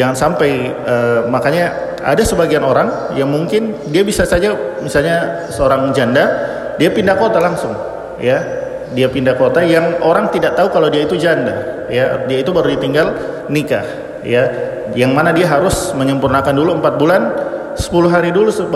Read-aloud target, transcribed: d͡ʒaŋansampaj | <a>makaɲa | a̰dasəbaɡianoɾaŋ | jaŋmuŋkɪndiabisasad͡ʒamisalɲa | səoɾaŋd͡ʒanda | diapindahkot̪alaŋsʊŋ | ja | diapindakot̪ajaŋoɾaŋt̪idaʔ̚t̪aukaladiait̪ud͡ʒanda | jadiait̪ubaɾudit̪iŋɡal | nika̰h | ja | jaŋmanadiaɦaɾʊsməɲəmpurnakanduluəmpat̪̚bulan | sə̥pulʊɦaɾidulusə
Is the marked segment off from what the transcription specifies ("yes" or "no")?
yes